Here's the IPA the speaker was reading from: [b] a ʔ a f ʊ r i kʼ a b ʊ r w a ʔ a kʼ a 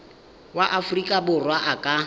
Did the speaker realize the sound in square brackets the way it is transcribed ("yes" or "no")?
no